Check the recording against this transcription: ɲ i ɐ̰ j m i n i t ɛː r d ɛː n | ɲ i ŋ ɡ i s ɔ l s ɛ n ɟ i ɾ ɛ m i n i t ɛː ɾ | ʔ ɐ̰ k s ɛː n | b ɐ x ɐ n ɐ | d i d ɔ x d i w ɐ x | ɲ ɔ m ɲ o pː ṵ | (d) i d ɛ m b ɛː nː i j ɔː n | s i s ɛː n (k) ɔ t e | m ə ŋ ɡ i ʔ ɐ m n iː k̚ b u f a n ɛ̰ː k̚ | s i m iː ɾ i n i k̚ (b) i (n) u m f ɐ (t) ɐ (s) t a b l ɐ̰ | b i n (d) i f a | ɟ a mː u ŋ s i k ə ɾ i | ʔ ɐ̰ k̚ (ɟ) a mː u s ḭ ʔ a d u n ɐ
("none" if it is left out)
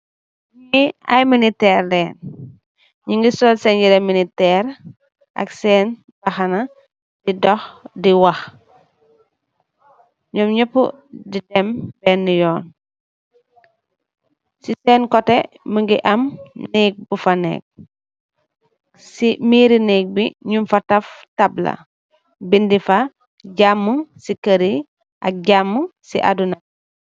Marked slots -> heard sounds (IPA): d, k, b, ɲ, t, f, d, ɟ

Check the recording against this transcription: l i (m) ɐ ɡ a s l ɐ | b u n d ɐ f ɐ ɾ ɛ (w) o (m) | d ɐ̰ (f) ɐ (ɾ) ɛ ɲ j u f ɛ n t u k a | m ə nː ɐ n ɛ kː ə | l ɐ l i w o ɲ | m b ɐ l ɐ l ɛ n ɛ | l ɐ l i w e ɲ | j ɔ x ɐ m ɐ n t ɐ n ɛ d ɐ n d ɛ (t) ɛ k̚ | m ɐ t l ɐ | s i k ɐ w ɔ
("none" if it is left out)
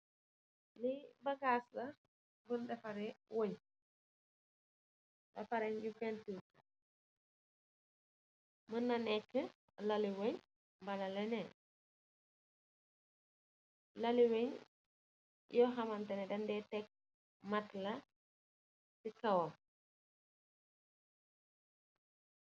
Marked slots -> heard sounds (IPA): b, w, ɲ, f, ɾ, t

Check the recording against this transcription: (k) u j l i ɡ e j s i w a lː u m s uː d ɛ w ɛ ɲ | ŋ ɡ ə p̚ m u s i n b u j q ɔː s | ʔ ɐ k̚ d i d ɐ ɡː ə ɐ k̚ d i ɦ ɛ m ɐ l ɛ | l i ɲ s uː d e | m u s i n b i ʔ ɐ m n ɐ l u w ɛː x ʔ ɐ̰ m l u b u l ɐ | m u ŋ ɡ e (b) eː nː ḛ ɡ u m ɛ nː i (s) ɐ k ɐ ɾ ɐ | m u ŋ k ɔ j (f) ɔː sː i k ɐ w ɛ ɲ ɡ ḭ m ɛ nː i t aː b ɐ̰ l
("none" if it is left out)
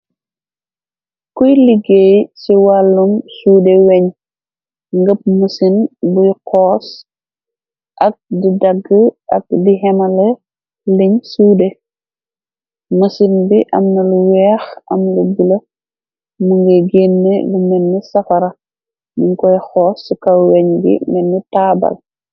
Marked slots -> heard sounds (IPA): k, ɡ, s, x

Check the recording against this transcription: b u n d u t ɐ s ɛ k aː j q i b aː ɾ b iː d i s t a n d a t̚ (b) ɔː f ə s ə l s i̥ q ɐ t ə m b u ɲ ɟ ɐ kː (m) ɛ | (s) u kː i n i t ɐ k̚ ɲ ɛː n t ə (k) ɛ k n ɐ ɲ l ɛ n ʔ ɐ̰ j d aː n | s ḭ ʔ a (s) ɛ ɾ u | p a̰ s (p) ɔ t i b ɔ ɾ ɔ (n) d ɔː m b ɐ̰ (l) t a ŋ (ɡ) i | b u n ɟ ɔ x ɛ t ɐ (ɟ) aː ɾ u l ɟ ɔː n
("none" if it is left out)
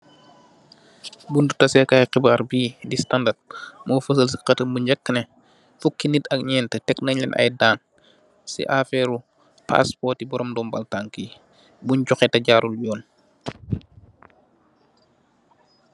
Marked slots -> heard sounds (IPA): m, n, f, t, f, p, m, l, k, ɟ

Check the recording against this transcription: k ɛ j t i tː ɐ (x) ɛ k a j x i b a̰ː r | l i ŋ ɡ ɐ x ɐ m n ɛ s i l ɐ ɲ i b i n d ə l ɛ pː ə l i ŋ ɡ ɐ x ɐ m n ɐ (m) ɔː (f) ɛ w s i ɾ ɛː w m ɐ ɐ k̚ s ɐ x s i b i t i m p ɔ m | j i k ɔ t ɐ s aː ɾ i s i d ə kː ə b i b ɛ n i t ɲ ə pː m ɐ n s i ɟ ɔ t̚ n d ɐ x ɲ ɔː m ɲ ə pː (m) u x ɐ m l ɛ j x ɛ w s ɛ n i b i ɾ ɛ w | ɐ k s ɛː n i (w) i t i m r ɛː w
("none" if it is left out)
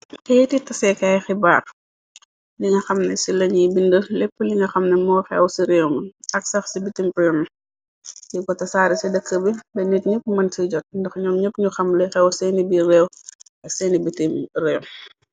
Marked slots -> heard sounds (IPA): s, m, x, ɲ, b

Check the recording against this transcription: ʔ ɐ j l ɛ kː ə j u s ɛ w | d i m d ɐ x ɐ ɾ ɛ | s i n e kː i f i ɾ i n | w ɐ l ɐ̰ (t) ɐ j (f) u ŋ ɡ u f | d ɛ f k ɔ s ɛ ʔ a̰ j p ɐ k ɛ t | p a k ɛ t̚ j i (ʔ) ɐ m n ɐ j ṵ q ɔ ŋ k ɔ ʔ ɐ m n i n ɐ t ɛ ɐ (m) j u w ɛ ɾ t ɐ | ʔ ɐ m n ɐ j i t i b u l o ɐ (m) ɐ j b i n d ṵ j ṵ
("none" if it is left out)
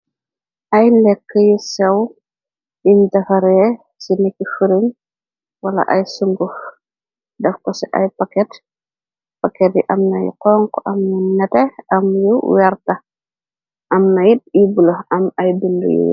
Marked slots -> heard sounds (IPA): ʔ, s, ʔ, m, m

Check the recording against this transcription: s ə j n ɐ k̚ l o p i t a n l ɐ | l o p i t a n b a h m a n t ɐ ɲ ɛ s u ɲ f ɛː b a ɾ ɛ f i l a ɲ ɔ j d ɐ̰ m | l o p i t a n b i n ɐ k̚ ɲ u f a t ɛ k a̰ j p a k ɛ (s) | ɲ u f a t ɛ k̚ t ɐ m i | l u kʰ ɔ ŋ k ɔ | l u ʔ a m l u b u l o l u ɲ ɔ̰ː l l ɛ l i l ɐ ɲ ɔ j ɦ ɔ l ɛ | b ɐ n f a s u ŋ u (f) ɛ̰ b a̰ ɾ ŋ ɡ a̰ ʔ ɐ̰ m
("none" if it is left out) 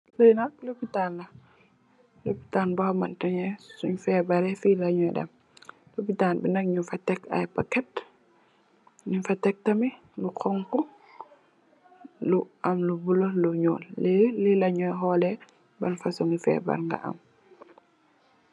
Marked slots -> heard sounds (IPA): t, f

